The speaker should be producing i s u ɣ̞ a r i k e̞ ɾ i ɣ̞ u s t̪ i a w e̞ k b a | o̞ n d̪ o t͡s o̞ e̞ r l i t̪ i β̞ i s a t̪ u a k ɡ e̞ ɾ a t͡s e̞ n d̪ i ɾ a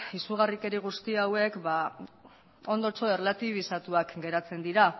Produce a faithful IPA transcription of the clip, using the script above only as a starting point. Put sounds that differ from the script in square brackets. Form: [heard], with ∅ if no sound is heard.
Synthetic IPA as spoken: i s u ɣ̞ a r i k e̞ ɾ i ɣ̞ u s t̪ i a w e̞ k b a | o̞ n d̪ o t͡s o̞ e̞ r l [a] t̪ i β̞ i s a t̪ u a k ɡ e̞ ɾ a t͡s e̞ n d̪ i ɾ a